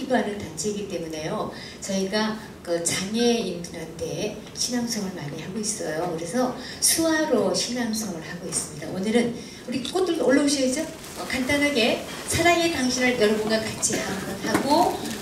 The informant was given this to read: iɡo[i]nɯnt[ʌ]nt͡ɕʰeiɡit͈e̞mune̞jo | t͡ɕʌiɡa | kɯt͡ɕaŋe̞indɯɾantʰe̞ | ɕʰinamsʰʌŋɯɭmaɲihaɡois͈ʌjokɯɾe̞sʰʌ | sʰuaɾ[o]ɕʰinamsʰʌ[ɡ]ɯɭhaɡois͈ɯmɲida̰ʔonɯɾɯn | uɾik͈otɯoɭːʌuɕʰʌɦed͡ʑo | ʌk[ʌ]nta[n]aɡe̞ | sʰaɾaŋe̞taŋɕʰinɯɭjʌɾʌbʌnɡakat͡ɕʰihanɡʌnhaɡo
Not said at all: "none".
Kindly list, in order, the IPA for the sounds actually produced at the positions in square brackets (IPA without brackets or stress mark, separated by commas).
a, a, o, ŋ, a, n